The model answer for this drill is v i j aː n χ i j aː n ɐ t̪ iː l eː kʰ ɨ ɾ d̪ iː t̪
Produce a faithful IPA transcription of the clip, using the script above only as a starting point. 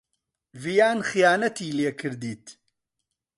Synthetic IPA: v i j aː n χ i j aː n ɐ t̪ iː l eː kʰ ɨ ɾ d̪ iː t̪

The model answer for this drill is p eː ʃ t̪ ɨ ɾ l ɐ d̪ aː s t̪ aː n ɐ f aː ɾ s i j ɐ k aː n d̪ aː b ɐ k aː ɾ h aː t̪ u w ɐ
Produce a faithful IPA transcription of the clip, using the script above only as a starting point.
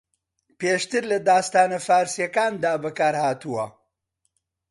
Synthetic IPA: p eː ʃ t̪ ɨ ɾ l ɐ d̪ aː s t̪ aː n ɐ f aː ɾ s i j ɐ k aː n d̪ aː b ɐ k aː ɾ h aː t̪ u w ɐ

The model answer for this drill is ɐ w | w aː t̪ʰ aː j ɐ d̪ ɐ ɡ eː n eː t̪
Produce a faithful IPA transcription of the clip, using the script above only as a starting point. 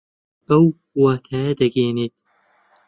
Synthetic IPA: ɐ w | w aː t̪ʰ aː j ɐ d̪ ɐ ɡ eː n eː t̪

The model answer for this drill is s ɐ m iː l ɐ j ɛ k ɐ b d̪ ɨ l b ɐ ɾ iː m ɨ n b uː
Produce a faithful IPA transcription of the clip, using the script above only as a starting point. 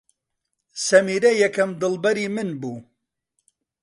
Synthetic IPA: s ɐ m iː ɾ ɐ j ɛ k ɐ m d̪ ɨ l b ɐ ɾ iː m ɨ n b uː

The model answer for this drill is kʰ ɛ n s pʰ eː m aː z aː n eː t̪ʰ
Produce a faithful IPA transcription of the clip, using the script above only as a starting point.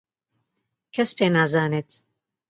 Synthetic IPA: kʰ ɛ s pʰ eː n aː z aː n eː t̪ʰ

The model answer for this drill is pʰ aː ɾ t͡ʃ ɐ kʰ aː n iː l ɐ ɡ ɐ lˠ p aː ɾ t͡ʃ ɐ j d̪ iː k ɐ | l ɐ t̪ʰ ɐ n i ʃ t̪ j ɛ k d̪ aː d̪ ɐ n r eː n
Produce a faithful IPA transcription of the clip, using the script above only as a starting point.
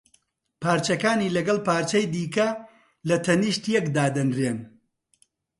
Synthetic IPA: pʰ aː ɾ t͡ʃ ɐ k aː n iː l ɐ ɡ ɐ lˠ p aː ɾ t͡ʃ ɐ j d̪ iː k ɐ | l ɐ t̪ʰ ɐ n i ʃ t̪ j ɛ k d̪ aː d̪ ɐ n r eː n

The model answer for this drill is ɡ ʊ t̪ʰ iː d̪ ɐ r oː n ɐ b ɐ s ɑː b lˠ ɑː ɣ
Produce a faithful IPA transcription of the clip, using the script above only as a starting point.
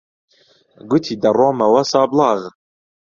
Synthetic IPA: ɡ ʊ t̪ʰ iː d̪ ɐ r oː m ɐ w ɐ s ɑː b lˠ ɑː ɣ

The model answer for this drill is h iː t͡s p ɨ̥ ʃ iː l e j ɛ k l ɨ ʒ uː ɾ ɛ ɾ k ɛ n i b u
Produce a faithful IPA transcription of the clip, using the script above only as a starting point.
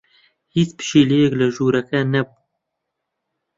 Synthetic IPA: h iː t͡s p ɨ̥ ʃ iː l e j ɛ k l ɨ ʒ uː ɾ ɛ k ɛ n ɛ b u

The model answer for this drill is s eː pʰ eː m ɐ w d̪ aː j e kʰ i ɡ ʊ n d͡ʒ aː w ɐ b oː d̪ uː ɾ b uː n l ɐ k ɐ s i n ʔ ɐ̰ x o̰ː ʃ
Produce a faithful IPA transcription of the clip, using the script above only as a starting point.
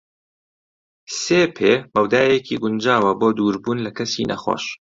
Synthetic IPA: s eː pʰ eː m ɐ w d̪ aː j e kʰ i ɡ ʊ n d͡ʒ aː w ɐ b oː d̪ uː ɾ b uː n l ɐ k ɐ s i n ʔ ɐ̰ x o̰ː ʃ

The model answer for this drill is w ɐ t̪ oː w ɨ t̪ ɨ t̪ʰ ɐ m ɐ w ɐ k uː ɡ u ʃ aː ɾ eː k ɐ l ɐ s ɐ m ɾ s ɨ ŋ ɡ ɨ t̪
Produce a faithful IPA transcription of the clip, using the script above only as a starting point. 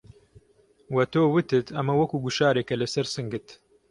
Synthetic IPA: w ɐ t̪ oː w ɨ t̪ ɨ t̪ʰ ɐ m ɐ w ɐ k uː ɡ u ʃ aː ɾ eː k ɐ l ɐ s ɐ ɾ s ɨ ŋ ɡ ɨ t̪

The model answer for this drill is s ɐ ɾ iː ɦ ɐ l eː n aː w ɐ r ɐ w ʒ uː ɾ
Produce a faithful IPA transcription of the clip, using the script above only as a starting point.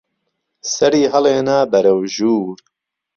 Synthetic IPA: s ɐ ɾ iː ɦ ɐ l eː n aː b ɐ ɾ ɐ w ʒ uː ɾ

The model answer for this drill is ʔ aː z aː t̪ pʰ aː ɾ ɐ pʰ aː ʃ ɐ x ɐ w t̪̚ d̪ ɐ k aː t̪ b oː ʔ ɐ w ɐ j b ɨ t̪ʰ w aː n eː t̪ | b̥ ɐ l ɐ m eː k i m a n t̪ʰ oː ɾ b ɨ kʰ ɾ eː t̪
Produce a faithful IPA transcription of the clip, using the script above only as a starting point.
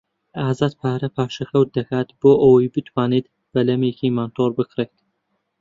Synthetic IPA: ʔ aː z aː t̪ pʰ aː ɾ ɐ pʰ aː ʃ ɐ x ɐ w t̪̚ d̪ ɐ k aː t̪ b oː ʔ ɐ w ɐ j b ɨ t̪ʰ w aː n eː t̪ | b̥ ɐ l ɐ m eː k i m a n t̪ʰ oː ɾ b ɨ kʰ ɾ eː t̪

